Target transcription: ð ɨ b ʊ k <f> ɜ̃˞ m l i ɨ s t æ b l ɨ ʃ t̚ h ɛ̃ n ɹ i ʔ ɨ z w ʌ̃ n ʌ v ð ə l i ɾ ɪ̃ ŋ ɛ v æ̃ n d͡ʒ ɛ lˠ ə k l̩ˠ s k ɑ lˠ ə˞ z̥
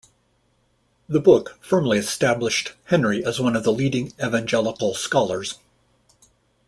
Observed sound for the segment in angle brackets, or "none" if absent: f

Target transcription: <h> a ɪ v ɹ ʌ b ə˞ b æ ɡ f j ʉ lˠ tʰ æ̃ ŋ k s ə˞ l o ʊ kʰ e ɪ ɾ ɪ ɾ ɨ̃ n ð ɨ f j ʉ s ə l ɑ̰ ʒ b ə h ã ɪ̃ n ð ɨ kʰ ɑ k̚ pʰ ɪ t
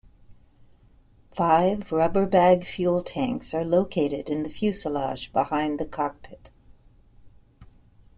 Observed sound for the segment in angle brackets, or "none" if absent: f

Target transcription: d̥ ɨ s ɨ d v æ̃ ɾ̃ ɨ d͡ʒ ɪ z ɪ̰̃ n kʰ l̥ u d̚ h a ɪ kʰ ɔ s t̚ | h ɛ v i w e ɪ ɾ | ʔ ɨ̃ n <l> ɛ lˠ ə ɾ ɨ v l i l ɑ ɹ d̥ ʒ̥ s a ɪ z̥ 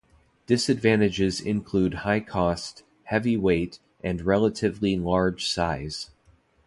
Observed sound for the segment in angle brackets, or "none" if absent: ɹ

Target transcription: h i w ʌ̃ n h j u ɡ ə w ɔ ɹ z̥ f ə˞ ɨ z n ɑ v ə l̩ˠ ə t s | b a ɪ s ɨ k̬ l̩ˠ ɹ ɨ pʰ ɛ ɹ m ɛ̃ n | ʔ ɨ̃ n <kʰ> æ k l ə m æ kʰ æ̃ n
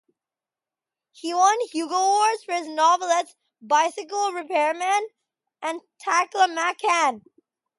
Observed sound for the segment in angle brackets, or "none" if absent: tʰ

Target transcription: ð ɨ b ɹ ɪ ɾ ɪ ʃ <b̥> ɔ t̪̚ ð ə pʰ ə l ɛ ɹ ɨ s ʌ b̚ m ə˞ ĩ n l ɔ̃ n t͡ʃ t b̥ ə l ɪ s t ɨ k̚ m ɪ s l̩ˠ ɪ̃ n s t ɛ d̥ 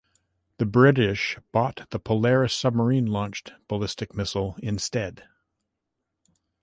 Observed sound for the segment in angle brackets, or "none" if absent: b̥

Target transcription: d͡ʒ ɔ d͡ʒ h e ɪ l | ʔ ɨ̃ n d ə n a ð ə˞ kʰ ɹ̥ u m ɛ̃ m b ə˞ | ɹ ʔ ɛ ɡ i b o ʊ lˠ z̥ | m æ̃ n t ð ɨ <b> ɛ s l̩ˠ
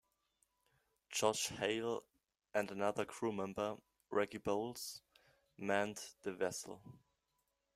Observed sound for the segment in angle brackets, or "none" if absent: v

